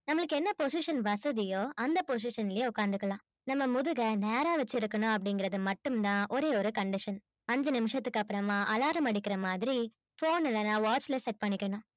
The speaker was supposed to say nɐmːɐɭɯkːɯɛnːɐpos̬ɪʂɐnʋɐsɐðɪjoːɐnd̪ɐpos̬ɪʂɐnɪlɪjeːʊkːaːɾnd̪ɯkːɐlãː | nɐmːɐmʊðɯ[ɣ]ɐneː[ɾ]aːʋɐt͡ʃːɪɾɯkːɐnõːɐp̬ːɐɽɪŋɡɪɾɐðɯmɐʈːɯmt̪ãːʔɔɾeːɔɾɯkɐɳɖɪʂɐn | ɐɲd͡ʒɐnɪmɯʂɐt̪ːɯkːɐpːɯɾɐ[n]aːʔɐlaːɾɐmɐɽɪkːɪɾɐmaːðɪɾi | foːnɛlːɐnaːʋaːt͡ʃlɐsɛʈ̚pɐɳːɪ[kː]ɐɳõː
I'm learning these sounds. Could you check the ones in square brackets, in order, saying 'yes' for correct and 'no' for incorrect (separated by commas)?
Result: yes, yes, no, yes